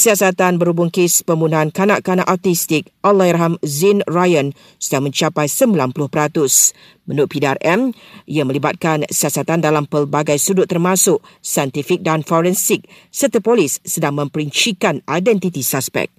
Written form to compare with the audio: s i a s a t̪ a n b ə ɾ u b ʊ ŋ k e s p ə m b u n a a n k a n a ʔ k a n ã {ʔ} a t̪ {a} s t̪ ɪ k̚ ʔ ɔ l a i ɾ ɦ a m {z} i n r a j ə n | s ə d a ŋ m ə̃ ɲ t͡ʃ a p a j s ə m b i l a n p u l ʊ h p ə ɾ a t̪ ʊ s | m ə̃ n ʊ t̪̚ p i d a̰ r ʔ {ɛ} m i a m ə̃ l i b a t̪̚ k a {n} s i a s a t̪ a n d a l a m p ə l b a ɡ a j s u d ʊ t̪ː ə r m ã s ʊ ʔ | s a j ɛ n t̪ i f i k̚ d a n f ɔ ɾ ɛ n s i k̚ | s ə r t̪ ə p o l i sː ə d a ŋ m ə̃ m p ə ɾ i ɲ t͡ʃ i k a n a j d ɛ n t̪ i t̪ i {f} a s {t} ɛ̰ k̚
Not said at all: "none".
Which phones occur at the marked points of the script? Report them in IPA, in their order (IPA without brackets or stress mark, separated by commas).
ʔ, i, z, ɛ, n, s, p